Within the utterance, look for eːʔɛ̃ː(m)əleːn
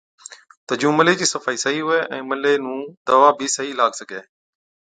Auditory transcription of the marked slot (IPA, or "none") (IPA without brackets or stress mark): m